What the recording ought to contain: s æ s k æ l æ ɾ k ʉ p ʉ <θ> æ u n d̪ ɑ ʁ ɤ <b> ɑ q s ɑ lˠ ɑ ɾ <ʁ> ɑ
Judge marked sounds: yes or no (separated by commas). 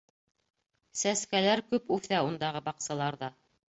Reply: yes, yes, no